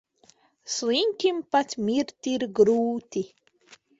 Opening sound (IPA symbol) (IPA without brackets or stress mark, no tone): s